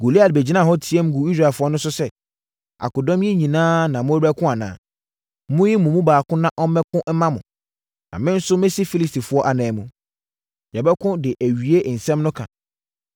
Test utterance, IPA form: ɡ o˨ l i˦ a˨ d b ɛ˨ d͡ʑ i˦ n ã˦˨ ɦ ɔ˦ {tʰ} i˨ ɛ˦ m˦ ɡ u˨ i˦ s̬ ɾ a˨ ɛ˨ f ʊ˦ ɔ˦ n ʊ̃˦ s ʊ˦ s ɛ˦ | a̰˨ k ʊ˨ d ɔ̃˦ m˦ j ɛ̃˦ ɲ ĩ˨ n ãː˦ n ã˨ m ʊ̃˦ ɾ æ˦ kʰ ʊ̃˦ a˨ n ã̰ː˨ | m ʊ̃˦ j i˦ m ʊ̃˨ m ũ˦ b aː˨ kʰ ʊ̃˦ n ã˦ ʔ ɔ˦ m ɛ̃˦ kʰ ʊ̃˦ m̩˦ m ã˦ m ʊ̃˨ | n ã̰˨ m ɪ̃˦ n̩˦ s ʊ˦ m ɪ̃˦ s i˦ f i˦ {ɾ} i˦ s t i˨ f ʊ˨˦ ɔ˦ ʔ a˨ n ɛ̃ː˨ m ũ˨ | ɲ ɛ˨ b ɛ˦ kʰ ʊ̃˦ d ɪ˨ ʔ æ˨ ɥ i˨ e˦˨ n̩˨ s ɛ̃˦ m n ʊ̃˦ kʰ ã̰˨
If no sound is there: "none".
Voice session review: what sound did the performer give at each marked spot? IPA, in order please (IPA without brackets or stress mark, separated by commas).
tʰ, l